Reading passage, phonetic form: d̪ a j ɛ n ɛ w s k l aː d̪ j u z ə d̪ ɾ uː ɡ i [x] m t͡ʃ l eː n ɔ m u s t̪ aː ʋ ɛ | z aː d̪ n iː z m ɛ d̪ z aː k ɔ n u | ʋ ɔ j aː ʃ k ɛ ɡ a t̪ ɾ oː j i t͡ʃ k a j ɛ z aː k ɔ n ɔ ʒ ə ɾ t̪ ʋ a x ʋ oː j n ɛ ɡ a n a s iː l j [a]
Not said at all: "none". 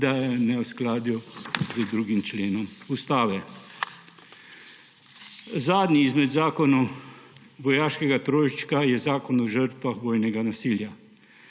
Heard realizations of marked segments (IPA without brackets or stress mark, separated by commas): none, a